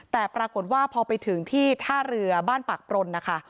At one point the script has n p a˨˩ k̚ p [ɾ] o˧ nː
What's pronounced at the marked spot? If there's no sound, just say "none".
ɾ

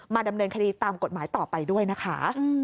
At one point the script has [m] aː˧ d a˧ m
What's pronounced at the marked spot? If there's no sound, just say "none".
m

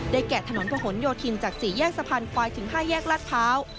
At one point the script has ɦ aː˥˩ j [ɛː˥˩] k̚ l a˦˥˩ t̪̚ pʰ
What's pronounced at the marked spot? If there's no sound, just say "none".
ɛː˥˩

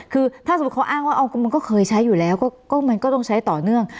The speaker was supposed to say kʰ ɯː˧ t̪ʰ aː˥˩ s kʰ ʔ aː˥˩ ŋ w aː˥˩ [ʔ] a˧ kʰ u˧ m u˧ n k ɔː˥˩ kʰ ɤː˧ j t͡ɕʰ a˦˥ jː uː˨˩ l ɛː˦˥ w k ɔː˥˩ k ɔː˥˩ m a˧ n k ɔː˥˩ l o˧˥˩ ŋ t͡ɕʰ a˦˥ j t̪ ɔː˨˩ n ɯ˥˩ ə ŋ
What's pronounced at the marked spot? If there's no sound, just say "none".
ʔ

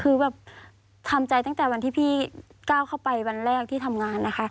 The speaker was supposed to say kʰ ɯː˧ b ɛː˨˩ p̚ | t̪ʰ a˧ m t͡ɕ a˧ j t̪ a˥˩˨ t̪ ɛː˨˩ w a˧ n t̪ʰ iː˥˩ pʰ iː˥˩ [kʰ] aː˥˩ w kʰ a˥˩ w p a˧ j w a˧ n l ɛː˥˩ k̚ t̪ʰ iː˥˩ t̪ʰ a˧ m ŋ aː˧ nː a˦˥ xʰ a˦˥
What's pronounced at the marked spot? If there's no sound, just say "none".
k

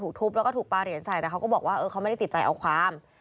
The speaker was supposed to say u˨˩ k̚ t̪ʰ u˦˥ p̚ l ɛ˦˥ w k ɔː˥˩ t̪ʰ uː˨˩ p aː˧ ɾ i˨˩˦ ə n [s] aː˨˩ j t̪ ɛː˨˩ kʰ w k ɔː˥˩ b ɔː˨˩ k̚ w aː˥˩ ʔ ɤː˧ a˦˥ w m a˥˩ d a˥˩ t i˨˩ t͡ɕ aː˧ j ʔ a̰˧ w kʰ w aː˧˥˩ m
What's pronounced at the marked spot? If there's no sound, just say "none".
s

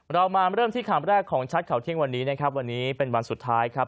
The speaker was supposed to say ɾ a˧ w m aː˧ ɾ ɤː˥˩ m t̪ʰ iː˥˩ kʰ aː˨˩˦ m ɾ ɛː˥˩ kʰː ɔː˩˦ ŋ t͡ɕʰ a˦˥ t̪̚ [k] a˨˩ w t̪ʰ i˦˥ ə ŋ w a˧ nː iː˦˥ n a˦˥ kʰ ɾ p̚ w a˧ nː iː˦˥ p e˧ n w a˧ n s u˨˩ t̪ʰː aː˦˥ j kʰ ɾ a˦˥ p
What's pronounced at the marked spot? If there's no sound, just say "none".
kʰ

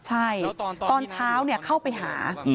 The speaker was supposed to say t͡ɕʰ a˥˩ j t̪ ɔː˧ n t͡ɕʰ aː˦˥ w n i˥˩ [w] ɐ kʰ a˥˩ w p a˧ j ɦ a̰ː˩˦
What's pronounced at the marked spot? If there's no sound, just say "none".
none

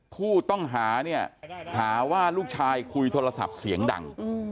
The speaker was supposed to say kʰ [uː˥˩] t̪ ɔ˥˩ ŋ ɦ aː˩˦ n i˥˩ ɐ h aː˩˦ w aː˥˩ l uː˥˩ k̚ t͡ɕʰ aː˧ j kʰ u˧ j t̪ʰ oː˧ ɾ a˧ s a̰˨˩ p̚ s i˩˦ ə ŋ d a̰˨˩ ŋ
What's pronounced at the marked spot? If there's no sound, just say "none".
uː˥˩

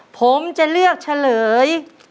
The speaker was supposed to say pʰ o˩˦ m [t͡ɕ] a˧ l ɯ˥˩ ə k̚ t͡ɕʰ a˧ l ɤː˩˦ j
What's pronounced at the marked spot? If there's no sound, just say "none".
t͡ɕ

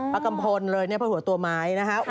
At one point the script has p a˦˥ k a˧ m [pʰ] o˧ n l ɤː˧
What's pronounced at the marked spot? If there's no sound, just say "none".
pʰ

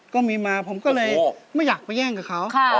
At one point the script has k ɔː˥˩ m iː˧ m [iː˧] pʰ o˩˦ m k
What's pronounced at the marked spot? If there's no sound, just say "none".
aː˧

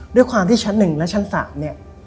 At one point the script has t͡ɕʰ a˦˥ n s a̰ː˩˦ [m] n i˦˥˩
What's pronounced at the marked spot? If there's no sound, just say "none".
m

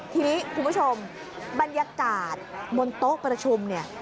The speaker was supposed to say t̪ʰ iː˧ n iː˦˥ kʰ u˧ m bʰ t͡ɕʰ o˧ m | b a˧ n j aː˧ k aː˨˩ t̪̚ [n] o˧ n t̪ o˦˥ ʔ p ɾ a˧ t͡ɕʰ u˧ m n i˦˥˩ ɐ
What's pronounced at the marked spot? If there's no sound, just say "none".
m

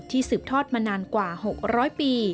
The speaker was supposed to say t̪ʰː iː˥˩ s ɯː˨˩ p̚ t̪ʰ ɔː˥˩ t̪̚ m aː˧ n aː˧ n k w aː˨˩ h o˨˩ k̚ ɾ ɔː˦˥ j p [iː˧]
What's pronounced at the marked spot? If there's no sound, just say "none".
iː˧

